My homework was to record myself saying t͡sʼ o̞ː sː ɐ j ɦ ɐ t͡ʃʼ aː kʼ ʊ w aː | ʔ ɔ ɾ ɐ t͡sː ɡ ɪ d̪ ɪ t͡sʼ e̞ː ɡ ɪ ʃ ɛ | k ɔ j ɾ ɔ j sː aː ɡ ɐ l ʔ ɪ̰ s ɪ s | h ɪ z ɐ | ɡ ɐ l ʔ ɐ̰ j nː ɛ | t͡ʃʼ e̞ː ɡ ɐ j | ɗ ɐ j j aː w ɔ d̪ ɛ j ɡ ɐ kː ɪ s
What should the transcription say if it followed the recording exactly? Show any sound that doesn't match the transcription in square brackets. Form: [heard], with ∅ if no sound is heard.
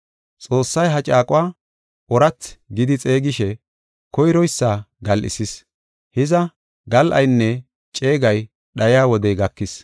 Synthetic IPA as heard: t͡sʼ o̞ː sː ɐ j ɦ ɐ t͡ʃʼ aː kʼ ʊ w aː | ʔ ɔ ɾ ɐ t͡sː ɡ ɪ d̪ ɪ t͡sʼ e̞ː ɡ ɪ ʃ ɛ | k ɔ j ɾ ɔ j sː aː ɡ ɐ l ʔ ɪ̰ s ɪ s | h ɪ z ɐ | ɡ ɐ l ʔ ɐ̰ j nː ɛ | t͡ʃʼ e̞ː ɡ ɐ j | ɗ ɐ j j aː w ɔ d̪ ɛ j ɡ ɐ kː ɪ s